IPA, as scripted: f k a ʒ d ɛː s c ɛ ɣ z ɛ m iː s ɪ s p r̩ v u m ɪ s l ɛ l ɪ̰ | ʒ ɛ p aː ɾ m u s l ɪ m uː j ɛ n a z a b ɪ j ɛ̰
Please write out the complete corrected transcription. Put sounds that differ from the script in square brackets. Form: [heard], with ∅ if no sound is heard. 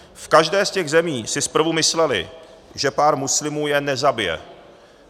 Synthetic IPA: f k a ʒ d ɛː s c ɛ ɣ z ɛ m iː s ɪ s p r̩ v u m ɪ s l ɛ l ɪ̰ | ʒ ɛ p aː ɾ m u s l ɪ m uː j ɛ n [ɛ] z a b ɪ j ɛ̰